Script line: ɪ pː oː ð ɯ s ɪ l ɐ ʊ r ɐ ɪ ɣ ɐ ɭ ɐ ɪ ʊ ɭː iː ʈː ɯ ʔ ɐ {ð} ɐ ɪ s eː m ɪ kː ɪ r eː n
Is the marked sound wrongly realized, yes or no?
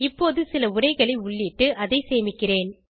no